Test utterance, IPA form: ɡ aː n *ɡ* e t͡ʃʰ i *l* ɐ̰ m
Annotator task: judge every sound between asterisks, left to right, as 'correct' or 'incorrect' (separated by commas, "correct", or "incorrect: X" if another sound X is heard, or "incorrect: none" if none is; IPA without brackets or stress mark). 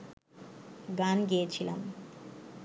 correct, correct